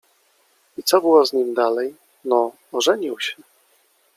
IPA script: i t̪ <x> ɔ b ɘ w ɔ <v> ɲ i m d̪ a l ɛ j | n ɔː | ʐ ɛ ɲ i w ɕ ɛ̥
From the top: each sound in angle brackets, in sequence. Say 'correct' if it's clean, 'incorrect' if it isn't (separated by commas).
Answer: incorrect, incorrect